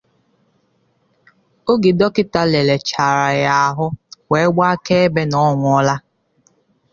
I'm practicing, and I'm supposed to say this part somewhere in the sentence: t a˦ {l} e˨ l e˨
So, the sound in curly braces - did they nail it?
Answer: yes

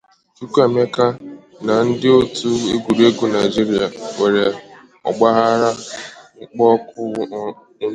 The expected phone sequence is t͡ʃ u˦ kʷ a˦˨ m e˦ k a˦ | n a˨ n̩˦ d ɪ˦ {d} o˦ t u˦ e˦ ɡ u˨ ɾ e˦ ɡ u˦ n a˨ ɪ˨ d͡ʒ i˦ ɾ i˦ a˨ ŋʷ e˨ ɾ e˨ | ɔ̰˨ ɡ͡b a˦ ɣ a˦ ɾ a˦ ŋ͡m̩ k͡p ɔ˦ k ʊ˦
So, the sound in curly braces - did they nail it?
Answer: no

